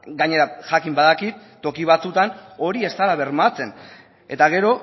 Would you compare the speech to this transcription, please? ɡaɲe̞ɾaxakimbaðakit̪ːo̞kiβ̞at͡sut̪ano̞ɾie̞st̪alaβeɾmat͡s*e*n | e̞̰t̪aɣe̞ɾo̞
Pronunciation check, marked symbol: correct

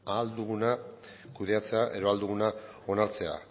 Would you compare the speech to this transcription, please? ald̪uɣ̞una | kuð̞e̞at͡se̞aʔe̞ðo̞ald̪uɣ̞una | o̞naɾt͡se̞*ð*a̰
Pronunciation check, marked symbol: incorrect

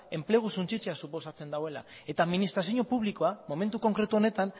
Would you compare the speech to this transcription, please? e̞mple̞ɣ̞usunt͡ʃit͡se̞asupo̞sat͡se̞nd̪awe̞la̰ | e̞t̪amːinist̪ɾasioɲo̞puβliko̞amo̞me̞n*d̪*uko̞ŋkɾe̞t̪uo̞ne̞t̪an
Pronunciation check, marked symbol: incorrect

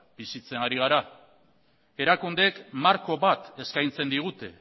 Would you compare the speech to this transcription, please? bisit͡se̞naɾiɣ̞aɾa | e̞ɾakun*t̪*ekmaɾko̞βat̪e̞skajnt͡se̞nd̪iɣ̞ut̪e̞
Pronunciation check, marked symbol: incorrect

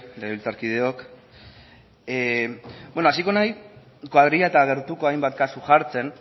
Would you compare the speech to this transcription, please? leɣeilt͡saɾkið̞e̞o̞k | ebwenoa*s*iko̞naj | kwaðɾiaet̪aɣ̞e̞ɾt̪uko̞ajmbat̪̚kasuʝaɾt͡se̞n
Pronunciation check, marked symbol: correct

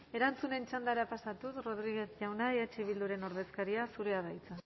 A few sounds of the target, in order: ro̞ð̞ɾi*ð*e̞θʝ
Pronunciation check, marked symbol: incorrect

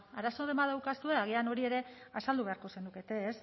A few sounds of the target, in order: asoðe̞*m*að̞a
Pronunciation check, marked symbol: correct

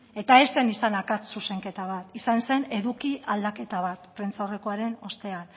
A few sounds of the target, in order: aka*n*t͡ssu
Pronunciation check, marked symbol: incorrect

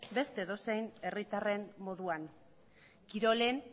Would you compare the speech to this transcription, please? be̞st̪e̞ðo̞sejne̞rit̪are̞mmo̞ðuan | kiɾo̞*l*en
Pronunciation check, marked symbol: correct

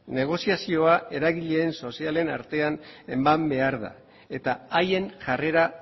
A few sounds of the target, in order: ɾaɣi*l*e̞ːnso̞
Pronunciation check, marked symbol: incorrect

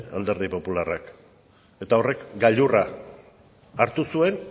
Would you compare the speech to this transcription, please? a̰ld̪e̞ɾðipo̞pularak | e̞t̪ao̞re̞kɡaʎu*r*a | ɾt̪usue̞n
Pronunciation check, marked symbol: correct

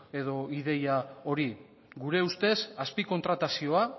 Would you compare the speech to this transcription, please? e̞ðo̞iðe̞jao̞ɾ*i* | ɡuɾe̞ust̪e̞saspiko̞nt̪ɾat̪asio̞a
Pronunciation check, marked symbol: correct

